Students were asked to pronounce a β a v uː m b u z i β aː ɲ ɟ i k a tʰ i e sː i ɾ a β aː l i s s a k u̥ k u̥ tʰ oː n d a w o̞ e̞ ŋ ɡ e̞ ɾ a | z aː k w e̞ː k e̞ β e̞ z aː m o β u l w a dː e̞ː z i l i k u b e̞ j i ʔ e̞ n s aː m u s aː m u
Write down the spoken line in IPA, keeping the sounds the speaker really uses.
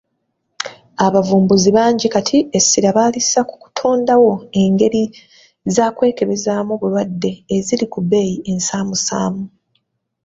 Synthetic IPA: a β a v uː m b u z i β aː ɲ ɟ i k a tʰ i e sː i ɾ a β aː l i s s a k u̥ k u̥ tʰ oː n d a w o̞ e̞ ŋ ɡ e̞ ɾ i | z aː k w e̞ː k e̞ β e̞ z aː m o β u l w a dː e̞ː z i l i k u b e̞ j i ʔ e̞ n s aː m u s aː m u